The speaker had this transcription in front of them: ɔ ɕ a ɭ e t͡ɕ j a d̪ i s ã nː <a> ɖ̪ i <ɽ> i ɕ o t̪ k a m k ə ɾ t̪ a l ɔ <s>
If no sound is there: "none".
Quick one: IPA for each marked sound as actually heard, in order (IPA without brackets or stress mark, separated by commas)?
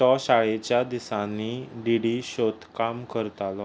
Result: i, ɽ, none